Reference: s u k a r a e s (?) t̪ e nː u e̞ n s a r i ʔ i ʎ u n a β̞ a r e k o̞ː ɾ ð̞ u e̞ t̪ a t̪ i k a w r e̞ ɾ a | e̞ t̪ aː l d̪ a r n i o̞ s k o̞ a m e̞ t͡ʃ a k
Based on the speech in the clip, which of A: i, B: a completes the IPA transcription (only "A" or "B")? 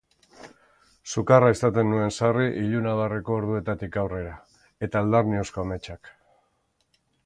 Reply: B